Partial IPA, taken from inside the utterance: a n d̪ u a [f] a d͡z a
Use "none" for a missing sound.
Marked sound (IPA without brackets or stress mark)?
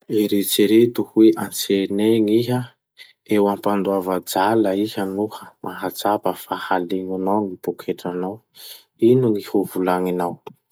v